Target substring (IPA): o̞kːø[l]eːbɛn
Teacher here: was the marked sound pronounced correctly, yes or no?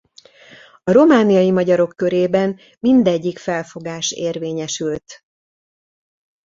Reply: no